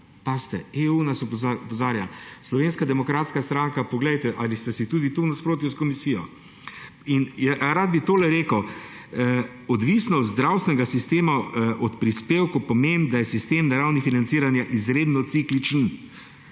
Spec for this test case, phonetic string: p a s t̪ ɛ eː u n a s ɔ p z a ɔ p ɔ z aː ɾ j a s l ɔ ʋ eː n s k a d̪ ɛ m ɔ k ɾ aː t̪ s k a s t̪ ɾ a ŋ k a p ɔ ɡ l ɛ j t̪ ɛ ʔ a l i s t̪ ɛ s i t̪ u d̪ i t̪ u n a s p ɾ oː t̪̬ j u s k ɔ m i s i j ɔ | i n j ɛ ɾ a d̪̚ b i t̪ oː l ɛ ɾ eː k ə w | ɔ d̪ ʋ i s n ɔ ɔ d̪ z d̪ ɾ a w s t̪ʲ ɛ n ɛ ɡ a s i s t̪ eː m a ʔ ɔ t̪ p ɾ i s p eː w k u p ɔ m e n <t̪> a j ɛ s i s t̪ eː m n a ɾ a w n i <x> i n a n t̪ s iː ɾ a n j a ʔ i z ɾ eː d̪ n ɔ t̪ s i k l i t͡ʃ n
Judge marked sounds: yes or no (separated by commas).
no, no